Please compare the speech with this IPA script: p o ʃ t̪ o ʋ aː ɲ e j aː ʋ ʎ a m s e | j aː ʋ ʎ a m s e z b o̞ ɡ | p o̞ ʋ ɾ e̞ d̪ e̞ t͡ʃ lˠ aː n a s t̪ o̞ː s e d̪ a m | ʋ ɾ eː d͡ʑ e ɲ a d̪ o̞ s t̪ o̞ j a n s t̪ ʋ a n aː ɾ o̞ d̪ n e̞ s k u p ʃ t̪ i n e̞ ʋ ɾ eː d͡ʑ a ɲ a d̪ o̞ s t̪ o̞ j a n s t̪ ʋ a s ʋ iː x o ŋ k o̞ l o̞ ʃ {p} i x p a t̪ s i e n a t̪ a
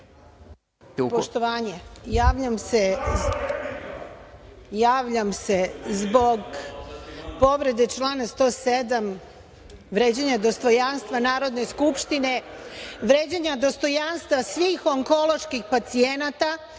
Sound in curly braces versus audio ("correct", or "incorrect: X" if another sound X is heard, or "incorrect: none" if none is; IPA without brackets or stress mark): incorrect: k